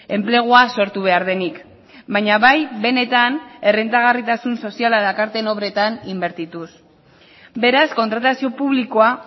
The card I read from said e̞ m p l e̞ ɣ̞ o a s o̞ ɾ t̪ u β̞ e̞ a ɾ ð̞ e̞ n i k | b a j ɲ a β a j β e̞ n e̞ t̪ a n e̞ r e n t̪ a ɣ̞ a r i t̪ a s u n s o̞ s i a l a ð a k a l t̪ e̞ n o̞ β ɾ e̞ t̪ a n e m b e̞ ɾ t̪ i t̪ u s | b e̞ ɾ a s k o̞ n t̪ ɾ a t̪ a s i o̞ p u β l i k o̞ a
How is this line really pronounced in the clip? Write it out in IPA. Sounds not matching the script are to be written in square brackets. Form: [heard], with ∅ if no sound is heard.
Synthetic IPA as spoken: e̞ m p l e̞ ɣ̞ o a s o̞ ɾ t̪ u β̞ e̞ a ɾ ð̞ e̞ n i k | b a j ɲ a β a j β e̞ n e̞ t̪ a n e̞ r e n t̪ a ɣ̞ a r i t̪ a s u n s o̞ s i a l a ð a k a [ɾ] t̪ e̞ n o̞ β ɾ e̞ t̪ a n [i] m b e̞ ɾ t̪ i t̪ u s | b e̞ ɾ a s k o̞ n t̪ ɾ a t̪ a s i o̞ p u β l i k o̞ a

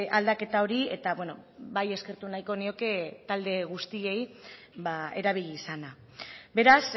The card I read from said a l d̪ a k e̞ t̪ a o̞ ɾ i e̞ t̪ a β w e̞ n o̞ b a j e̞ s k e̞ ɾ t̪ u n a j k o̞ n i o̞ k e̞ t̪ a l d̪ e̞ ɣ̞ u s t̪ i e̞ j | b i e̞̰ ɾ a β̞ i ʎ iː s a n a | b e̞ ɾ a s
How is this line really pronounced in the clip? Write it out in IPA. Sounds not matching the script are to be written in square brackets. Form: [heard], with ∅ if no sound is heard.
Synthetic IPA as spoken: a l d̪ a k e̞ t̪ a o̞ ɾ i e̞ t̪ a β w e̞ n o̞ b a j e̞ s k e̞ ɾ t̪ u n a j k o̞ n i o̞ k e̞ t̪ a l d̪ e̞ ɣ̞ u s t̪ i e̞ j | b [a] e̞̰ ɾ a β̞ i ʎ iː s a n a | b e̞ ɾ a s

